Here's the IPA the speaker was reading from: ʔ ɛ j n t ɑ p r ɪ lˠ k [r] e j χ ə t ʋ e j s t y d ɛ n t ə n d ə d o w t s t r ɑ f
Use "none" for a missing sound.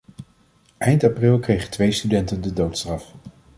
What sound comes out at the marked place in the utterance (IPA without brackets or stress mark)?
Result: r